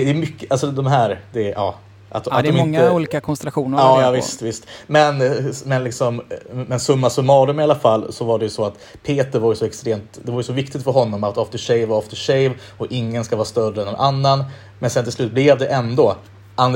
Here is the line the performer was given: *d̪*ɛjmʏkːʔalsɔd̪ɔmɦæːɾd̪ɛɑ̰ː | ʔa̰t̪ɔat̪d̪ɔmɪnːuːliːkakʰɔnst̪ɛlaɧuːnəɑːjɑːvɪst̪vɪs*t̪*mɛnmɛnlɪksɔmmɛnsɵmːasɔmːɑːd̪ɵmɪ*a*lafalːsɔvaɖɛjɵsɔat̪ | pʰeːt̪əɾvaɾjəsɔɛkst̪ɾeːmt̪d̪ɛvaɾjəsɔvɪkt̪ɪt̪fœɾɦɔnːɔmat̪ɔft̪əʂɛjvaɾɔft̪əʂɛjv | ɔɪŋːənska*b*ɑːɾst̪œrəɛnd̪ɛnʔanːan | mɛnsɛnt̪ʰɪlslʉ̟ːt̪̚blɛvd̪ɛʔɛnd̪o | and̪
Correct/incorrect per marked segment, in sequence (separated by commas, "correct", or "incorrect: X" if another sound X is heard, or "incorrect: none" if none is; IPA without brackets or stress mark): correct, correct, correct, incorrect: v